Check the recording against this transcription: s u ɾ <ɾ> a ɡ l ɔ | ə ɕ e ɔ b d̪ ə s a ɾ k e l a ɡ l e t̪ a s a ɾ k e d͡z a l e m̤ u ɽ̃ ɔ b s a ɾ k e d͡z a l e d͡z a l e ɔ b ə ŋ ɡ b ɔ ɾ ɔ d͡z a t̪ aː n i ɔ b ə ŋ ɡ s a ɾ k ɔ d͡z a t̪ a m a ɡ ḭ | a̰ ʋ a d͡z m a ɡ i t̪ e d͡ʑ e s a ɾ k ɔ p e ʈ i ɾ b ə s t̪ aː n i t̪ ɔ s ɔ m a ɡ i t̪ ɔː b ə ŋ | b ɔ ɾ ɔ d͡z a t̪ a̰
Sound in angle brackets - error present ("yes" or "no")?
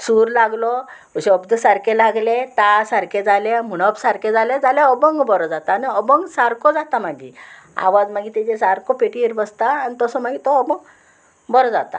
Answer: yes